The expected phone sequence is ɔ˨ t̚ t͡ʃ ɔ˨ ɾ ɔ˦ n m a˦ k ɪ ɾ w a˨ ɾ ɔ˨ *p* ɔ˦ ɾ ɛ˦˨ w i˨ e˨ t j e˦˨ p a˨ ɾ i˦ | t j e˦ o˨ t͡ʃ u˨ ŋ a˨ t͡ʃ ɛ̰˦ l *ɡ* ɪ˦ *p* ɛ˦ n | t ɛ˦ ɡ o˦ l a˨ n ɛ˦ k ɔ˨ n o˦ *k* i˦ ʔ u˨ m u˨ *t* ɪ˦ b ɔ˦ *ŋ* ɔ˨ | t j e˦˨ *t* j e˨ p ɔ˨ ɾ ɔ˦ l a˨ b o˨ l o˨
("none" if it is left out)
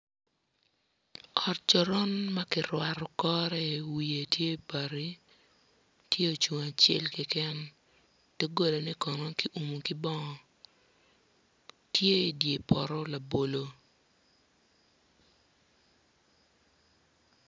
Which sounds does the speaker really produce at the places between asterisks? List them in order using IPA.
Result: k, k, k, k, k, ŋ, d

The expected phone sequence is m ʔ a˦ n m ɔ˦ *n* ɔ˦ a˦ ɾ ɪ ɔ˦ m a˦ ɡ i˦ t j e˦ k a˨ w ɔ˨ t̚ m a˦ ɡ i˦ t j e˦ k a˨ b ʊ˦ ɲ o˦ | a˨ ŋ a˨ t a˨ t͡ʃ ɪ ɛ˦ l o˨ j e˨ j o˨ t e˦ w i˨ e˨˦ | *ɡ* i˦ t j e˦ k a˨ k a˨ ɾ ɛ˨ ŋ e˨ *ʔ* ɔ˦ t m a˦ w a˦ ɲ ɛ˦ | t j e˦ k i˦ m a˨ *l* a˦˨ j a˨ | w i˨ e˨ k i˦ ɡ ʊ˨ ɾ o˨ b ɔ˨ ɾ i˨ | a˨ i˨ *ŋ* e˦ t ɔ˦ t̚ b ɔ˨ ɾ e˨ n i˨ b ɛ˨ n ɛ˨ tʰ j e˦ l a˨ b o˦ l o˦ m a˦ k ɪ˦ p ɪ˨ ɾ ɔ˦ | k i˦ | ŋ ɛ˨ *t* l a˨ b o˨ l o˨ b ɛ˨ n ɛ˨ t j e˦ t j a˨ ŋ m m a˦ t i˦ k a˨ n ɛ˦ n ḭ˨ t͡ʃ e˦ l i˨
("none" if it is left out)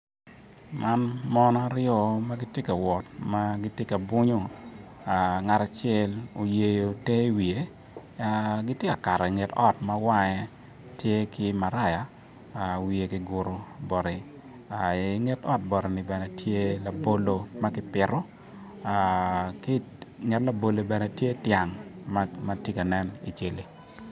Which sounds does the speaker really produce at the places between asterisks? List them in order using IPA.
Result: n, ɡ, t, ɾ, ŋ, t

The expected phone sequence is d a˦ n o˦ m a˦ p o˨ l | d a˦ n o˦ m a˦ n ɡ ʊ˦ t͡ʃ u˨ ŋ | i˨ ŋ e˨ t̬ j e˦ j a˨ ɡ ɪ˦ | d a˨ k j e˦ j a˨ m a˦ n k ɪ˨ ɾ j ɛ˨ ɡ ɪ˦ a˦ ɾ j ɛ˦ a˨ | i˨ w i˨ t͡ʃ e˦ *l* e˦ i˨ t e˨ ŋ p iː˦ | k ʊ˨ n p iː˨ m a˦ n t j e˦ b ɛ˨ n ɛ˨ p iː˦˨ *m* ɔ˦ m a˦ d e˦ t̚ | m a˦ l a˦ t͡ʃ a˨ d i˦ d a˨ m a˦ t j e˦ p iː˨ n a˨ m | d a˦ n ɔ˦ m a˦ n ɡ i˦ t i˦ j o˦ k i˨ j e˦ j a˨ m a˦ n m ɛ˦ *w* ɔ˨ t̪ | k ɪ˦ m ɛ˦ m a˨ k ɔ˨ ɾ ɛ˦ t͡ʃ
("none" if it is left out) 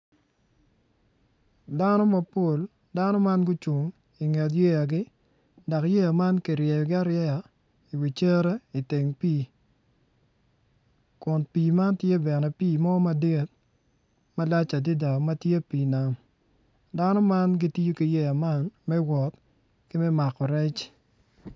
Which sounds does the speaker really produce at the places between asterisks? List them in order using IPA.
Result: ɾ, m, w

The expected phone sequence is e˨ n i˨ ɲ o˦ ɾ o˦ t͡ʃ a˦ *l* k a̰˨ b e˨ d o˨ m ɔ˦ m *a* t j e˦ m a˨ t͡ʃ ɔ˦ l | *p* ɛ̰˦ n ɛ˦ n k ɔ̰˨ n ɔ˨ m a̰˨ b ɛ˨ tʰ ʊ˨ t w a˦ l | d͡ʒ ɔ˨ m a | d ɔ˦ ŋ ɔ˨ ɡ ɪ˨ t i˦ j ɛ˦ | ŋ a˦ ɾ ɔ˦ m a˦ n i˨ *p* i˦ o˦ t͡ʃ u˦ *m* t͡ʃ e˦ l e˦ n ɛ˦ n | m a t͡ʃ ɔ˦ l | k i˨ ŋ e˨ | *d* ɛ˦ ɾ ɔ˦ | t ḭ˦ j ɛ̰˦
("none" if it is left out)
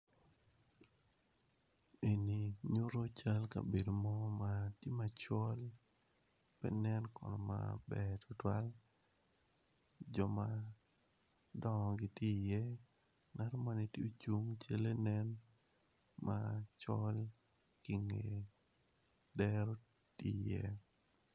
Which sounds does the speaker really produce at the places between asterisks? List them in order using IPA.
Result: l, a, p, t, ŋ, d

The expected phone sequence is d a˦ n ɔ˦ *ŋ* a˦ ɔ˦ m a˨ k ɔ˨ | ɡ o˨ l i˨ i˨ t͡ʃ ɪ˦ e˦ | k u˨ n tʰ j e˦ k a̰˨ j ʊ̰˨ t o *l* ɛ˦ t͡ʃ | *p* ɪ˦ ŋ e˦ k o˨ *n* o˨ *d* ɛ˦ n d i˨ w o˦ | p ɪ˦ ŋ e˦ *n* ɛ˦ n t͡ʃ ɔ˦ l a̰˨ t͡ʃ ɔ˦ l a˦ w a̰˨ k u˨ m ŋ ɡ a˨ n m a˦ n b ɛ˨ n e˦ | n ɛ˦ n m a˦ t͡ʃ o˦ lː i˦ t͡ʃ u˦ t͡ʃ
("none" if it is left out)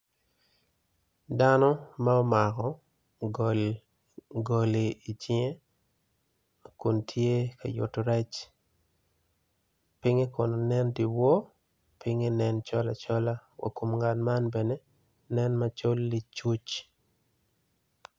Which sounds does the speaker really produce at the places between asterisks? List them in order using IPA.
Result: m, ɾ, p, n, n, n

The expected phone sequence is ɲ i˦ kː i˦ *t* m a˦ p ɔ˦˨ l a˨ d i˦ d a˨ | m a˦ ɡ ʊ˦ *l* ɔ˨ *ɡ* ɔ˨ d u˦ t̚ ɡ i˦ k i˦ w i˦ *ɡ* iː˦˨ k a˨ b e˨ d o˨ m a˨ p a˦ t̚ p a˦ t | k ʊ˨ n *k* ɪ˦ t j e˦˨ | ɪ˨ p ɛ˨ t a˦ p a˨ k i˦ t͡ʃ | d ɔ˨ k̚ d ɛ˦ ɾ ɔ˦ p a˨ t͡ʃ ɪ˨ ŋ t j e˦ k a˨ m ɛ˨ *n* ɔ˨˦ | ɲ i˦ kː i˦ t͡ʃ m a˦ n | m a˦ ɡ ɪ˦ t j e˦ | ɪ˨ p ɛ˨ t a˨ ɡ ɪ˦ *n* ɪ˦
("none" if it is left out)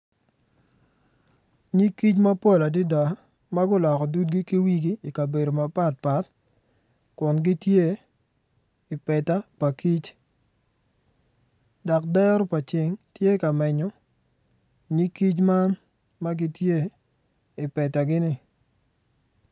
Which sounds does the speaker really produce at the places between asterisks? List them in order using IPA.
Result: t͡ʃ, l, k, ɡ, ɡ, ɲ, n

